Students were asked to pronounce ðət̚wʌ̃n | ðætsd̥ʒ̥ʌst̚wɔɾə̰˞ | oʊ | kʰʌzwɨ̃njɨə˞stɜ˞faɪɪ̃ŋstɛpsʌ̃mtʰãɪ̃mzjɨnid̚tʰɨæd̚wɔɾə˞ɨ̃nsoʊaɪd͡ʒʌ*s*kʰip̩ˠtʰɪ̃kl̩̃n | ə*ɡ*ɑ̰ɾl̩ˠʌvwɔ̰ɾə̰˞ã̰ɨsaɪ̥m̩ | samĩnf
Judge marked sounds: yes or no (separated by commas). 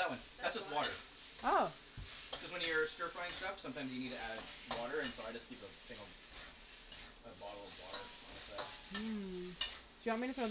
yes, no